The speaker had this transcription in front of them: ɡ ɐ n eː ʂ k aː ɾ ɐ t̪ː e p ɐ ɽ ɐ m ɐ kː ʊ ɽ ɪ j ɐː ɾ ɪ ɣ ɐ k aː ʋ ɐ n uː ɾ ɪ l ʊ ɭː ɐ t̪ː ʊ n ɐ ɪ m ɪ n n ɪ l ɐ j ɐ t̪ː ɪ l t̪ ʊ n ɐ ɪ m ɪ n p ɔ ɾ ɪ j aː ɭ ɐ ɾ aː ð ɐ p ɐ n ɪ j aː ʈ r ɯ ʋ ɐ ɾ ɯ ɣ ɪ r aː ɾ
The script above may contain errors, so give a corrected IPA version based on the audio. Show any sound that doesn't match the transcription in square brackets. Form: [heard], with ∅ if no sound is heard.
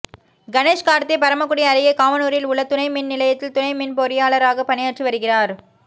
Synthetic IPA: ɡ ɐ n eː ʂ k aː ɾ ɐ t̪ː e p ɐ [ɾ] ɐ m ɐ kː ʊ ɽ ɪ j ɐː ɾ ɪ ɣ ɐ k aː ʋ ɐ n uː ɾ ɪ l ʊ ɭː ɐ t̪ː ʊ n ɐ ɪ m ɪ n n ɪ l ɐ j ɐ t̪ː ɪ l t̪ ʊ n ɐ ɪ m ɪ n p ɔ ɾ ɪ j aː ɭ ɐ ɾ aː [ɣ] ɐ p ɐ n ɪ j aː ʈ r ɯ ʋ ɐ ɾ ɯ ɣ ɪ r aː ɾ

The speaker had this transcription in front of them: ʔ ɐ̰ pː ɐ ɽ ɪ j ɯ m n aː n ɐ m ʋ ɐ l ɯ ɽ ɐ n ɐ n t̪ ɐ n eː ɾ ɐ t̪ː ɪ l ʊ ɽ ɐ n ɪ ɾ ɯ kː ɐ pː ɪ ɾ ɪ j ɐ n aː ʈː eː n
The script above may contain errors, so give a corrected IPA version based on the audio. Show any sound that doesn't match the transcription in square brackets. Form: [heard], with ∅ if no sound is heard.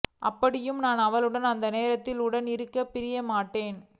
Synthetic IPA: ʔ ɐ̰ pː ɐ ɽ ɪ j ɯ m n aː n ɐ [∅] ʋ ɐ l ɯ ɽ ɐ n ɐ n [d̪] ɐ n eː ɾ ɐ t̪ː ɪ l ʊ ɽ ɐ n ɪ ɾ ɯ kː ɐ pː ɪ ɾ ɪ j ɐ [m] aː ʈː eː n

